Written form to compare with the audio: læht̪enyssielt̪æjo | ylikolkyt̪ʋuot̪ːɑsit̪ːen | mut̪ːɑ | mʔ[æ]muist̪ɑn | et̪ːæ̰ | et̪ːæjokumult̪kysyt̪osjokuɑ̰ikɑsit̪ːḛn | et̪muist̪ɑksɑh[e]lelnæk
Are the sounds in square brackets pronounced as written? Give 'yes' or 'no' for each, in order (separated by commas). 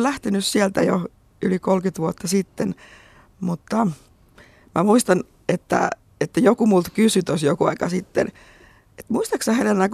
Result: yes, yes